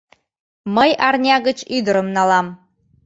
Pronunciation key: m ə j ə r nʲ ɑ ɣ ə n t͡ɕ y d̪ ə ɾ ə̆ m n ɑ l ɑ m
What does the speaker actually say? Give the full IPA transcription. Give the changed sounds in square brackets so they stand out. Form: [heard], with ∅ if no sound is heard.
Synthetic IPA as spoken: m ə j [ɑ] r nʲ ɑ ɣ ə [∅] t͡ɕ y d̪ ə ɾ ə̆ m n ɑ l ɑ m